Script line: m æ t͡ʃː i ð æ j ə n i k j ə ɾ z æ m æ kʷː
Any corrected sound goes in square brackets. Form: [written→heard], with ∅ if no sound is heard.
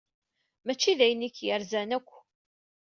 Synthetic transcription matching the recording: m æ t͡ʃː i ð æ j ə n i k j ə ɾ z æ [m→n] æ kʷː